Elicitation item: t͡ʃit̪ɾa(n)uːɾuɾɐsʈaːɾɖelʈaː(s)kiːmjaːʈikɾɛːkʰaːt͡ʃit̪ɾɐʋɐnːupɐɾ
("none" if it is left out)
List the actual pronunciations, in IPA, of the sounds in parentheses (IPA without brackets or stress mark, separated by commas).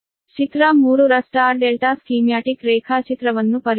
m, s